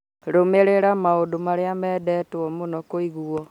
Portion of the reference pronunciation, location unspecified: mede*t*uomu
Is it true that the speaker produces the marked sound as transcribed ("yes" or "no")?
yes